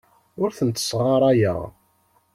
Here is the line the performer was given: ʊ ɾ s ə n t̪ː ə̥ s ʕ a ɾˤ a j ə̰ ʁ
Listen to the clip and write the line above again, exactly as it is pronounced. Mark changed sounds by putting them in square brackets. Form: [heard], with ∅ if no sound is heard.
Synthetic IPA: ʊ ɾ [θ] ə n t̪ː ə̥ s [ʁ] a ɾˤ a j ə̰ ʁ

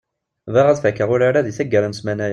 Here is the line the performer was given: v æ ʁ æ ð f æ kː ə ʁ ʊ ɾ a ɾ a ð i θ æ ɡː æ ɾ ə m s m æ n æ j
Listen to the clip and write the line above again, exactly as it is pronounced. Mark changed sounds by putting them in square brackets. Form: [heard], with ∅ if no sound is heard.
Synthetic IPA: v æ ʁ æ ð f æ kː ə ʁ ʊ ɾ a ɾ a ð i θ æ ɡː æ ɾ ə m s m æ n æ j

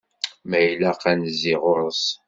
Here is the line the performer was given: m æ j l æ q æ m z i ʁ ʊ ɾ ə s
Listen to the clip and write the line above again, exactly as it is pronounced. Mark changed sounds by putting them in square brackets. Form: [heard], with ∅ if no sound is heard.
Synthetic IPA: m æ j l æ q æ [n] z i ʁ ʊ ɾ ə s

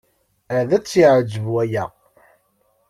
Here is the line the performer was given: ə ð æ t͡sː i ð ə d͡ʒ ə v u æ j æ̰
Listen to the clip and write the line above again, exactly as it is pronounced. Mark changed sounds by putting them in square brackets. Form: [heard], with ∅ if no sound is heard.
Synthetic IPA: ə ð æ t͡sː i [ʕ] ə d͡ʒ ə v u æ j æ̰

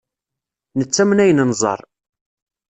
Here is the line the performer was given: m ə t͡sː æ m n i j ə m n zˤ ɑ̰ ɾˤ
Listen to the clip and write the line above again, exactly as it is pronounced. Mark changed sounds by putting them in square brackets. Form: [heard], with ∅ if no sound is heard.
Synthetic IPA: [n] ə t͡sː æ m n [æ] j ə [n] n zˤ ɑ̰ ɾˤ

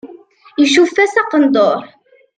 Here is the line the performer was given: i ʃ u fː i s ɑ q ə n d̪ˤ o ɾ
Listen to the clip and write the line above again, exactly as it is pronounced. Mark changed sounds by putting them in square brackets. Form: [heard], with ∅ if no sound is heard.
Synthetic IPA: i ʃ u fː [æ] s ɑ q ə n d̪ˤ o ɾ

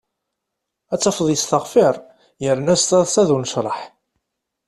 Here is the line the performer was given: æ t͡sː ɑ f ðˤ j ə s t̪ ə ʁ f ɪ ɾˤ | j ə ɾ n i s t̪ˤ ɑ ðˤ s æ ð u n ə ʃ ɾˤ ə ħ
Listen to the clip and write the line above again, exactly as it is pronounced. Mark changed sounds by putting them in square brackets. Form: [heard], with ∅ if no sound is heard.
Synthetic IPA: æ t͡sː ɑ f ðˤ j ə s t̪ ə ʁ f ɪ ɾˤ | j ə ɾ n [æ] s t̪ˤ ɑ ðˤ s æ ð u n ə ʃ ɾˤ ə ħ

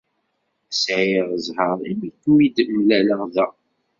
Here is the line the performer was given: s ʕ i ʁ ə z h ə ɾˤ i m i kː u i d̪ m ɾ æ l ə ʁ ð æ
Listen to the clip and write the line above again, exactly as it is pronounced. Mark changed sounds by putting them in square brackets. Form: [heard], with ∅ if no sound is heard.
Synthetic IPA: s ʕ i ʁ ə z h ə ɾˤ i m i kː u i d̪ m [l] æ l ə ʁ ð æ

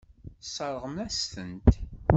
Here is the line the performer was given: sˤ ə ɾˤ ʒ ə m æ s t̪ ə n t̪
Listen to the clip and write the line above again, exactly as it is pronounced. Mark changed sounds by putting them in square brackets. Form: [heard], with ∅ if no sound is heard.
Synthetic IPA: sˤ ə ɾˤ [ʁ] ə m æ s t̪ ə n t̪

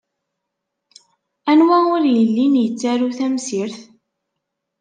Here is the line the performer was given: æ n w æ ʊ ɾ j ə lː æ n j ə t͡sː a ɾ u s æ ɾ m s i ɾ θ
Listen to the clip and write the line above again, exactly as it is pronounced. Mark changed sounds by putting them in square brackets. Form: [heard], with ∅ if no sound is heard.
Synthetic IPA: æ n w æ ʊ ɾ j ə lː [i] n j ə t͡sː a ɾ u [θ] æ [∅] m s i ɾ θ

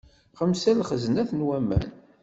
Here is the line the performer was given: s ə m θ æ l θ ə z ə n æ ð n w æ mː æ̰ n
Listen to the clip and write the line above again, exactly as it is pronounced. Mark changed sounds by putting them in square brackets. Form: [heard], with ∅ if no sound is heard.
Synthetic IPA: [χ] ə m [s] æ l [χ] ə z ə n æ [θ] n w æ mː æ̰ n

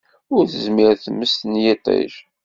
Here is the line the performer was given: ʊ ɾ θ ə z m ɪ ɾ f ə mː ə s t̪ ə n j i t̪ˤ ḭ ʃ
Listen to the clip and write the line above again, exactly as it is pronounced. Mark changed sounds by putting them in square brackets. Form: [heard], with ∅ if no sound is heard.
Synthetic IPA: ʊ ɾ θ ə z m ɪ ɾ [θ] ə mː ə s t̪ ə n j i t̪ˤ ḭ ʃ

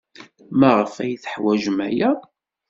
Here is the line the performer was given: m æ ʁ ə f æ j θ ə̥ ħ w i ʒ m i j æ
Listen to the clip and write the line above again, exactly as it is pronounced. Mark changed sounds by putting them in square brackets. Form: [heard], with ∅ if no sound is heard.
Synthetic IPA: m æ ʁ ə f æ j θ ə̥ ħ w [æ] ʒ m [æ] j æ

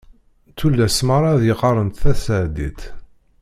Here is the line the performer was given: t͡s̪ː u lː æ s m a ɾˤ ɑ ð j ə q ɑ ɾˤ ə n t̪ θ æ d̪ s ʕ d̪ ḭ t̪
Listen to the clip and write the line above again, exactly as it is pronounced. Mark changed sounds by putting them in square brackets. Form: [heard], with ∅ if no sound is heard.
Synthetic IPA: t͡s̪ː u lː æ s m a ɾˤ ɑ ð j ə q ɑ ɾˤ ə n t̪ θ æ [∅] s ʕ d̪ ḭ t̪

